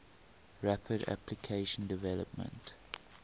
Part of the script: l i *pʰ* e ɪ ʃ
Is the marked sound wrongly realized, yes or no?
yes